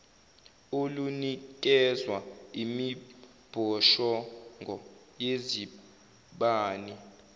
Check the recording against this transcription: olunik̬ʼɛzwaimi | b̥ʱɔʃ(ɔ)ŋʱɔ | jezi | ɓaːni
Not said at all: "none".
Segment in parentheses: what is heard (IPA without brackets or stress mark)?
ɔ